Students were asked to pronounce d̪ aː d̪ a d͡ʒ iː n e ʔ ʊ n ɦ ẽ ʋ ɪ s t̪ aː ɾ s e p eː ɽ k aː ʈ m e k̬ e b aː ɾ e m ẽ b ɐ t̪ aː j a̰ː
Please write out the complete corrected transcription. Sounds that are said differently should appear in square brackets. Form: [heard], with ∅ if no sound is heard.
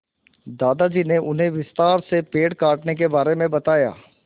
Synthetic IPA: d̪ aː d̪ a d͡ʒ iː n e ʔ ʊ n ɦ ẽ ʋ ɪ s t̪ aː ɾ s e p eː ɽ k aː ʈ [n] e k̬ e b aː ɾ e m ẽ b ɐ t̪ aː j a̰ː